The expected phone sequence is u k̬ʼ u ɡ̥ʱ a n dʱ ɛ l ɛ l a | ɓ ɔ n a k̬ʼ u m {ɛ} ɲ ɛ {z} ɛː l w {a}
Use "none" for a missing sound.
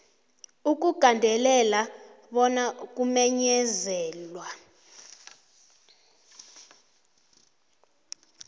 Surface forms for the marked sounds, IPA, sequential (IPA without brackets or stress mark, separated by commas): ɛ, z, a